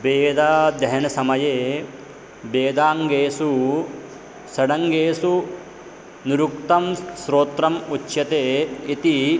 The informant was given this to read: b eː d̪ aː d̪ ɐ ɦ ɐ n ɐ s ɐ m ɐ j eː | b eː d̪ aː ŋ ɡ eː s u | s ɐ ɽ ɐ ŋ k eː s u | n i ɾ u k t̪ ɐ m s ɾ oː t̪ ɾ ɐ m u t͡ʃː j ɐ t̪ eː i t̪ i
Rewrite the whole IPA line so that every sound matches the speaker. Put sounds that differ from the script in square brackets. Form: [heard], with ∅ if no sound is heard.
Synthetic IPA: b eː d̪ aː d̪ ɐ ɦ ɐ n ɐ s ɐ m ɐ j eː | b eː d̪ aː ŋ ɡ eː s u | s ɐ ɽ ɐ ŋ [ɡ] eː s u | n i ɾ u k t̪ ɐ m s ɾ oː t̪ ɾ ɐ m u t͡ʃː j ɐ t̪ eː i t̪ i